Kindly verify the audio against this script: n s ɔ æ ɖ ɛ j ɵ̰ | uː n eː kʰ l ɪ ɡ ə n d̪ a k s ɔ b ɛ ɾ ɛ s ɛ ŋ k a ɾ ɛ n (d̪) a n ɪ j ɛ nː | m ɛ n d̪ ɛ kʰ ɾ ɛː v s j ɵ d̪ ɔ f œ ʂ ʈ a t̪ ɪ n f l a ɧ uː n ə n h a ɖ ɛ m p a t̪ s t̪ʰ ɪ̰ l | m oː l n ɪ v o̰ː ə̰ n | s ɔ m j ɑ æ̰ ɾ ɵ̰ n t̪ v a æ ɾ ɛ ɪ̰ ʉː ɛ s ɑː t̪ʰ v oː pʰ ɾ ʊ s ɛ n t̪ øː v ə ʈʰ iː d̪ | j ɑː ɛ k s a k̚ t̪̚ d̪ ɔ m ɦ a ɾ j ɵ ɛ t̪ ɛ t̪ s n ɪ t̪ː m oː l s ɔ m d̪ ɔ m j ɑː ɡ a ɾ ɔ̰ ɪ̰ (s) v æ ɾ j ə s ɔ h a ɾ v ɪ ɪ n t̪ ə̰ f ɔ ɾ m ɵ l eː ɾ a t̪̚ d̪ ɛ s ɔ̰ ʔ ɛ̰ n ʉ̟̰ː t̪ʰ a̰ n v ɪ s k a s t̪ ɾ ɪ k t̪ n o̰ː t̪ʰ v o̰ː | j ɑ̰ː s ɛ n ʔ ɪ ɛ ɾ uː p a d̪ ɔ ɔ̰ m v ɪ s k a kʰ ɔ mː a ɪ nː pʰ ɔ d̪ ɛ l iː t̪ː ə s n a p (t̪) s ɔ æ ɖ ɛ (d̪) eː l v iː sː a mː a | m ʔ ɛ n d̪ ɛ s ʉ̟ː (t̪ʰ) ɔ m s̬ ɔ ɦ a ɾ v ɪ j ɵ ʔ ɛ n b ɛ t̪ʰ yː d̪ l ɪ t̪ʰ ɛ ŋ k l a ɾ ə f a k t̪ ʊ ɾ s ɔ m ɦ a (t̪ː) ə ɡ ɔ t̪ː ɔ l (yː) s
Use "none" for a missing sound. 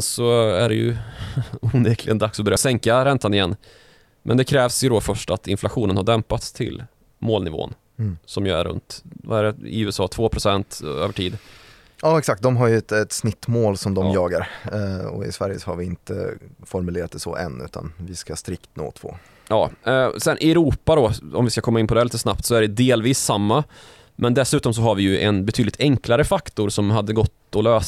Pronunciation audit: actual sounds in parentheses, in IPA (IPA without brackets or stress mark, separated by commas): t̪, s, t̪, d̪, t̪, d̪ː, øː